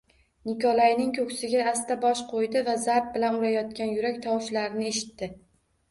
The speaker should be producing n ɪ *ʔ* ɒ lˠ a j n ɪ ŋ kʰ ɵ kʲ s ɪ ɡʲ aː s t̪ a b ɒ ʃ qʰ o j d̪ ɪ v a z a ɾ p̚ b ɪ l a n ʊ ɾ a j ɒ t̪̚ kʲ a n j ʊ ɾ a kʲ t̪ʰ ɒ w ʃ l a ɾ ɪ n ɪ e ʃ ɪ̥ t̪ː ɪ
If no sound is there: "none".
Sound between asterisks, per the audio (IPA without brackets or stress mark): k